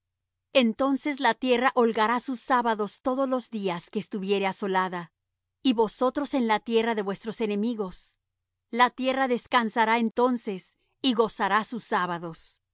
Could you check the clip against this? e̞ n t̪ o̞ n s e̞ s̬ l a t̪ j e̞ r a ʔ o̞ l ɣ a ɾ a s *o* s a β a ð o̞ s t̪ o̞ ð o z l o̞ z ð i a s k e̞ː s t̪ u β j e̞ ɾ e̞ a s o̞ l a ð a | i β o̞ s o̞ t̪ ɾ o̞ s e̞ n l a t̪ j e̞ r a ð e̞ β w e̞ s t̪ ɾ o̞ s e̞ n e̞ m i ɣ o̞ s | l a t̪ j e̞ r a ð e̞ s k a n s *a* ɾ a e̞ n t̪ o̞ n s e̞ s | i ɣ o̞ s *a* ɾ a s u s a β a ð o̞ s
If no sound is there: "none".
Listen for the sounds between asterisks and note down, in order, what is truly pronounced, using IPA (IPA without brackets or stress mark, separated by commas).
u, a, a